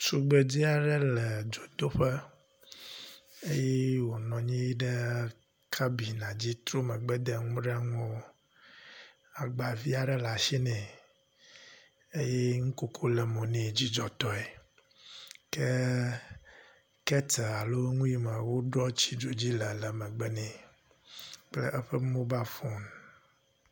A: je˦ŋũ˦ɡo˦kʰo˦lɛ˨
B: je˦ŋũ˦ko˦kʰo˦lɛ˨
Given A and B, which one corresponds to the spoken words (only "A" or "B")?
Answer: B